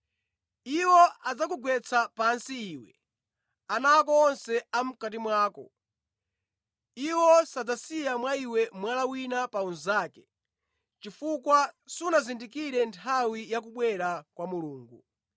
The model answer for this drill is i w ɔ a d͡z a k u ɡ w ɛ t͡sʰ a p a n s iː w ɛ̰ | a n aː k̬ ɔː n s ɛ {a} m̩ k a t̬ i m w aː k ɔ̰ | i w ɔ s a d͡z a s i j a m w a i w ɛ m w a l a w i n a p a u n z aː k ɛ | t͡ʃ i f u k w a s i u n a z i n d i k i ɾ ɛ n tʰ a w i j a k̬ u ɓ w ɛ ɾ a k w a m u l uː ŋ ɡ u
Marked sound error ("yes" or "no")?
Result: no